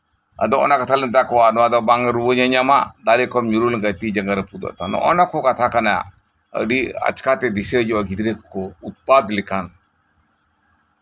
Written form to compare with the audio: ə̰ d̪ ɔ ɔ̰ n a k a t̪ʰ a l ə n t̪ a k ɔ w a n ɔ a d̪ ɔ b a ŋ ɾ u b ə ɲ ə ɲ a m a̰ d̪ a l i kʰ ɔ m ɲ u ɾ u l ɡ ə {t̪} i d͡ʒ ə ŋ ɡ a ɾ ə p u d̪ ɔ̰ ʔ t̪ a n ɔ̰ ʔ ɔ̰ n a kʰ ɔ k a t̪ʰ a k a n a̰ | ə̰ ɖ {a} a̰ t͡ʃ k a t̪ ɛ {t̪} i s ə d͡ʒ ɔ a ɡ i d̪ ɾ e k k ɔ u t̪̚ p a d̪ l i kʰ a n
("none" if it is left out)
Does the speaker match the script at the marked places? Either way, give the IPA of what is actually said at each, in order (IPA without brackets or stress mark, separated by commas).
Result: t̪, i, d̪